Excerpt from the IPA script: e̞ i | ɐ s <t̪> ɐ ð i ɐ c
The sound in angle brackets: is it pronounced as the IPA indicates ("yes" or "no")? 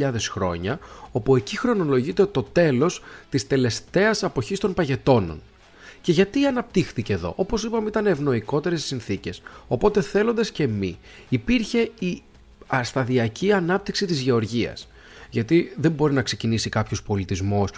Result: yes